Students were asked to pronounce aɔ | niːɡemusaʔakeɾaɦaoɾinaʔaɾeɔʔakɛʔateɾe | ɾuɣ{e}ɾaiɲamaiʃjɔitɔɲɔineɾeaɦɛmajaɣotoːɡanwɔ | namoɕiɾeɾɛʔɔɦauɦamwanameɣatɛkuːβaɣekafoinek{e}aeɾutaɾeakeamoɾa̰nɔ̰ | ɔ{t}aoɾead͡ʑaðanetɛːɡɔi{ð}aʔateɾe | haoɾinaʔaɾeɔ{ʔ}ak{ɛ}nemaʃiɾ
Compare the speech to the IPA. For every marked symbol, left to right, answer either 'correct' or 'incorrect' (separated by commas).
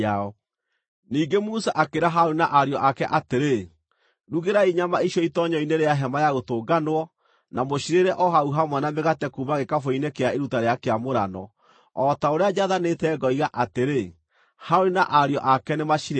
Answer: correct, correct, correct, incorrect, correct, correct